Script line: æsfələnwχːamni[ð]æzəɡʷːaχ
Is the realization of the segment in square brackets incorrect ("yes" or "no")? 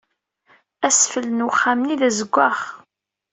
no